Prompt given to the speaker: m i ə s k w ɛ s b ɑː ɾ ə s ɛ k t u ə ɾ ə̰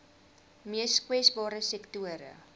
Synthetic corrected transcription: m i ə s k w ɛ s b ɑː ɾ ə s ɛ k t u ə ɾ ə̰

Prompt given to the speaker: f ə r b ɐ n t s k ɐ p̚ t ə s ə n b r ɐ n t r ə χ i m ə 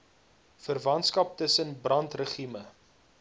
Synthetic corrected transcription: f ə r v ɐ n t s k ɐ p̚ t ə s ə n b r ɐ n t r ə χ i m ə

